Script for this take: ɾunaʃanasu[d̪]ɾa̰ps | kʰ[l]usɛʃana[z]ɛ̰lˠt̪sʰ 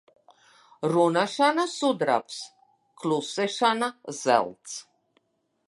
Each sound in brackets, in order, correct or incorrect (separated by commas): correct, correct, correct